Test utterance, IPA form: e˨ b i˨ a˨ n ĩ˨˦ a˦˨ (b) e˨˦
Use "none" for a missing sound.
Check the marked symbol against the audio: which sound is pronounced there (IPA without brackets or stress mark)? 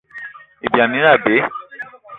b